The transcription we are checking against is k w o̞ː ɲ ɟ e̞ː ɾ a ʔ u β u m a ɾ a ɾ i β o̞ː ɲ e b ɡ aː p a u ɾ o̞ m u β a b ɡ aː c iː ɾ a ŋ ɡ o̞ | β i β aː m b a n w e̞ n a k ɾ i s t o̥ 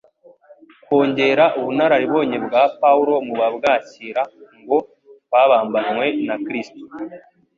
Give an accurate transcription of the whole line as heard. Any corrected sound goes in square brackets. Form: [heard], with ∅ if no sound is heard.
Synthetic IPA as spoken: k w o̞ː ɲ ɟ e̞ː ɾ a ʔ u β u [n] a ɾ a ɾ i β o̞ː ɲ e b ɡ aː p a u ɾ o̞ m u β a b ɡ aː c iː ɾ a ŋ ɡ o̞ | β [a] β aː m b a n w e̞ n a k ɾ i s t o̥